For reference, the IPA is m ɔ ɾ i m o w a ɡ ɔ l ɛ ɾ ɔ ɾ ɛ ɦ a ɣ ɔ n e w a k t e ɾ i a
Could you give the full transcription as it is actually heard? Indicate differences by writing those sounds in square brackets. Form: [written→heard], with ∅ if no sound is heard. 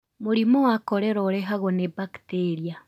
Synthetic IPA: m [ɔ→o] ɾ i m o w a [ɡ→k] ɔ [l→ɾ] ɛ ɾ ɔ ɾ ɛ ɦ a ɣ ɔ n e [w→b] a k t e ɾ i a